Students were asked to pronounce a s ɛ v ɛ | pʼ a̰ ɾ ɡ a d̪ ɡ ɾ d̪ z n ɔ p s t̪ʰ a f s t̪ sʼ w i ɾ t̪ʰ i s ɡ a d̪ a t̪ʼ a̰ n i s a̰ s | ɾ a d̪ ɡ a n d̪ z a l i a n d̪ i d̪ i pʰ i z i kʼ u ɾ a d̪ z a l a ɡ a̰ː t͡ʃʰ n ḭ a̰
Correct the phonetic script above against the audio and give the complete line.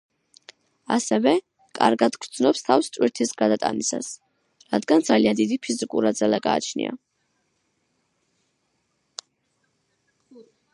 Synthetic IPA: a s ɛ v ɛ | kʼ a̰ ɾ ɡ a d̪ ɡ ɾ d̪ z n ɔ p s t̪ʰ a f s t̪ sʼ w i ɾ t̪ʰ i s ɡ a d̪ a t̪ʼ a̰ n i s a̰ s | ɾ a d̪ ɡ a n d̪ z a l i a n d̪ i d̪ i pʰ i z i kʼ u ɾ a d̪ z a l a ɡ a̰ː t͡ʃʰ n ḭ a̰